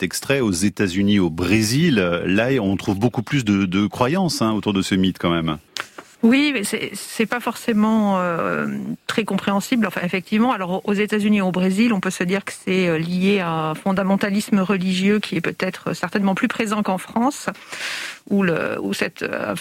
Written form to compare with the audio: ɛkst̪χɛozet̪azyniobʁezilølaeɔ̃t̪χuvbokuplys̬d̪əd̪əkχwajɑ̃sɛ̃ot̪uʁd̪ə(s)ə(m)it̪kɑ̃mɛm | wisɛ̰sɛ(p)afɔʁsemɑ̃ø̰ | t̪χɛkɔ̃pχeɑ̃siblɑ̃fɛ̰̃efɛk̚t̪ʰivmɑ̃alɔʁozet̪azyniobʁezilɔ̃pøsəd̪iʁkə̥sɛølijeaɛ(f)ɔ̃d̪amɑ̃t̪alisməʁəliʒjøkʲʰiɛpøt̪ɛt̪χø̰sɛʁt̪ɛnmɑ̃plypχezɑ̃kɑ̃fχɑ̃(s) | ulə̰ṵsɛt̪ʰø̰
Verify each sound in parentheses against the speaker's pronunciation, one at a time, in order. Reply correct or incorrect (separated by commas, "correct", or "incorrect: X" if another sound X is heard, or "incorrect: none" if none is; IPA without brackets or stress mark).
correct, correct, correct, correct, correct